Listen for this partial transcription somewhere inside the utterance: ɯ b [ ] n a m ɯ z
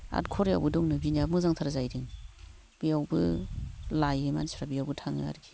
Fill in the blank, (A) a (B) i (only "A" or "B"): B